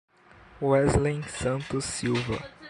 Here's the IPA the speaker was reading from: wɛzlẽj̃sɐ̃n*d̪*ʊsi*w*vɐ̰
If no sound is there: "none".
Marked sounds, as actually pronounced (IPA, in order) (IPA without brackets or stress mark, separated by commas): t̪, w